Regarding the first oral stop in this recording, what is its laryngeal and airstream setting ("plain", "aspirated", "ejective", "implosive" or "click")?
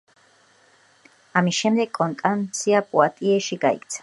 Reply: plain